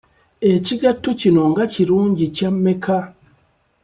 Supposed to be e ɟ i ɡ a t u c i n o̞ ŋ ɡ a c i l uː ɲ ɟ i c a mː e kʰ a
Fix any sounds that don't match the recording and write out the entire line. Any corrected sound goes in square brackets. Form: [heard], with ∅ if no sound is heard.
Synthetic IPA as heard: e [c] i ɡ a t u c i n o̞ ŋ ɡ a c i [ɾ] uː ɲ ɟ i c a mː e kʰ a